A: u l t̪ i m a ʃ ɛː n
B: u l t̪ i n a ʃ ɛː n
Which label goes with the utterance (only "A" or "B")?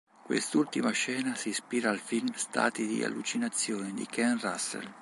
A